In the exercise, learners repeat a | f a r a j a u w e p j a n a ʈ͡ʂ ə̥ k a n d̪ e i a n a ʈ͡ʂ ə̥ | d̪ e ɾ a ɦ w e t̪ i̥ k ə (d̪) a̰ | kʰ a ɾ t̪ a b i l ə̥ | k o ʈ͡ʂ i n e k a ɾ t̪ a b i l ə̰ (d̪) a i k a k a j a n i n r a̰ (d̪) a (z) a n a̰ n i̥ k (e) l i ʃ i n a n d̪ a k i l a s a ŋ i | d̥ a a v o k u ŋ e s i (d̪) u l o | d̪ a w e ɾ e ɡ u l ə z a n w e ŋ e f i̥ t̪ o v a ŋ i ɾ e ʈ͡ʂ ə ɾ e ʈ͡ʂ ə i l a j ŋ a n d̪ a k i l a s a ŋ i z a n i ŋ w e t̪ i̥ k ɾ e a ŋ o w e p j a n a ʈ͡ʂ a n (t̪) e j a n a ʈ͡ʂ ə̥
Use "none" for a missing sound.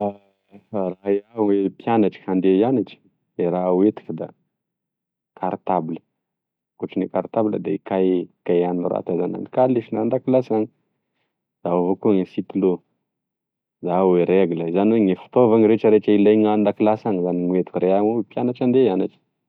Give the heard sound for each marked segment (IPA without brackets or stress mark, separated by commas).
d̪, d̪, t̪, z, a, t̪, d̪